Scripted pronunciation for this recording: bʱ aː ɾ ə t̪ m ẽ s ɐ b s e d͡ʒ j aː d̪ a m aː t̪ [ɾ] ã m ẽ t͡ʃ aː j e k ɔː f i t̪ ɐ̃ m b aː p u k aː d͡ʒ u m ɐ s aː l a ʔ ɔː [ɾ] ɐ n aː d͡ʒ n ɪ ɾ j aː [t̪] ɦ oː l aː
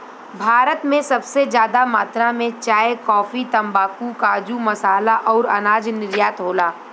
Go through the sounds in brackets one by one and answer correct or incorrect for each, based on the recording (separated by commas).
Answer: correct, correct, correct